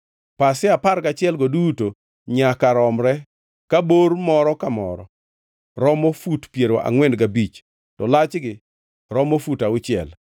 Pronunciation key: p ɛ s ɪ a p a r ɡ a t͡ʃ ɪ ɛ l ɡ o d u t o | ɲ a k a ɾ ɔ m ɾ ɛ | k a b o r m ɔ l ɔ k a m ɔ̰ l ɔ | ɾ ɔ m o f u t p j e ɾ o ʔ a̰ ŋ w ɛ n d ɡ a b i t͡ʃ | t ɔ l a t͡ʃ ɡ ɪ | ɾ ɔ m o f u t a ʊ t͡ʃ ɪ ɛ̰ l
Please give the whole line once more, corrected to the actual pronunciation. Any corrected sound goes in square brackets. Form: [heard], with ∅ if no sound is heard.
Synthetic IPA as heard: p [a] s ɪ a p a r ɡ a t͡ʃ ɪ ɛ l ɡ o d u t o | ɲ a k a ɾ ɔ m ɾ ɛ | k a b o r m ɔ [ɾ] ɔ k a m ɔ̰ [ɾ] ɔ | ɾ ɔ m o f u t p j e ɾ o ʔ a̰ ŋ w ɛ n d ɡ a b i t͡ʃ | t ɔ l a t͡ʃ ɡ ɪ | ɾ ɔ m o f u t a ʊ t͡ʃ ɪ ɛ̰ l